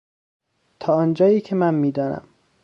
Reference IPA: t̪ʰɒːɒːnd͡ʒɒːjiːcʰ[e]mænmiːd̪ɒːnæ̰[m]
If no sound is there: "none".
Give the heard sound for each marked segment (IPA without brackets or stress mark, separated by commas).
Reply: e, m